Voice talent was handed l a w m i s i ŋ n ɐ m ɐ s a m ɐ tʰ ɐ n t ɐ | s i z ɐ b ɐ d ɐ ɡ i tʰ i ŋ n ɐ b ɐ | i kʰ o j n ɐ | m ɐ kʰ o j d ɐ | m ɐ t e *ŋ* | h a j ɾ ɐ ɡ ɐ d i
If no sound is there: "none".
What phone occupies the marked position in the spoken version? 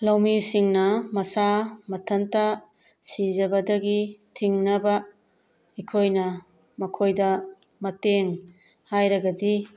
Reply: ŋ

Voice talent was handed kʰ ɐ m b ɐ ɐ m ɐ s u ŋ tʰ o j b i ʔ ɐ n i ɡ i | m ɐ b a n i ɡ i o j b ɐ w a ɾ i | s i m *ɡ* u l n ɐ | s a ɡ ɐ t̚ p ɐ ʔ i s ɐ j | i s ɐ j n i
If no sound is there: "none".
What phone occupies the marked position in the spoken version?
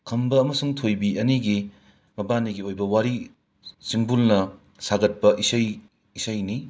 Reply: b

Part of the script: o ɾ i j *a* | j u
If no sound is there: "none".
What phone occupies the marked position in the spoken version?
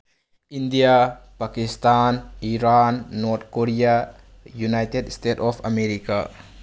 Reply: a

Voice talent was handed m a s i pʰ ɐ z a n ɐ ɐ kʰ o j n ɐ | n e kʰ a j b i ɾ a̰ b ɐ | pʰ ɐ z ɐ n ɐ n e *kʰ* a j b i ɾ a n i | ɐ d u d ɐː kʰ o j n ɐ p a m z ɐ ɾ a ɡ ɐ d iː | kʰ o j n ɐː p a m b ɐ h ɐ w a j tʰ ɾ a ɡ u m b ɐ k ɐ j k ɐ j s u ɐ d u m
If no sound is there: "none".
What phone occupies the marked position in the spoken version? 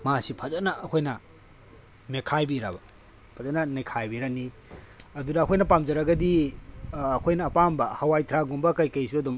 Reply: kʰ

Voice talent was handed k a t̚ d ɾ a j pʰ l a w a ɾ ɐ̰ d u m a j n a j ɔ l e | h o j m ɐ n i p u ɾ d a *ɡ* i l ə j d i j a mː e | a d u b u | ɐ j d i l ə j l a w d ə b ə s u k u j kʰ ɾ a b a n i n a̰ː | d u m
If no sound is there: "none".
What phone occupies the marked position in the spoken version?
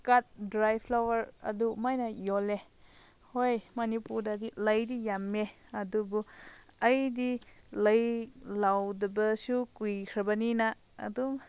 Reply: d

